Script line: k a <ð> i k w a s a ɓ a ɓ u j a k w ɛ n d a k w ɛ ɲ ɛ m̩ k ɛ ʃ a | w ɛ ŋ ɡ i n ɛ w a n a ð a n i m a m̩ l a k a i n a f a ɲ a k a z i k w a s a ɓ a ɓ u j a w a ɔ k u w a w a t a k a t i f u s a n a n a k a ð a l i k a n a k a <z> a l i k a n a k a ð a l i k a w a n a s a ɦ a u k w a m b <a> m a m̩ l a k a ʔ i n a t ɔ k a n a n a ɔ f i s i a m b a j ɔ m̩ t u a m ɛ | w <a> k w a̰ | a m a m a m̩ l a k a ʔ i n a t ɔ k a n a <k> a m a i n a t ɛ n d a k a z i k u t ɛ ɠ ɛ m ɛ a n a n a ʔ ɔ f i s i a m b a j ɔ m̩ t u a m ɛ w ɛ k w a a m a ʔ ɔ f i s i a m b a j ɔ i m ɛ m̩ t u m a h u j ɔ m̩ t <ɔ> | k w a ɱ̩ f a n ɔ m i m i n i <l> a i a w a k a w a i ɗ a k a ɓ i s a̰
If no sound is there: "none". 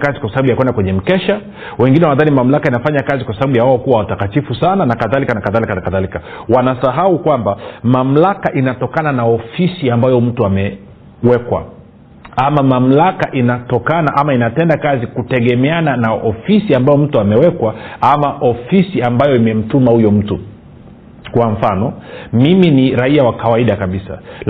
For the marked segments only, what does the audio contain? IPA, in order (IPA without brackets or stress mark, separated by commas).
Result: z, ð, a, ɛ, ʔ, u, ɾ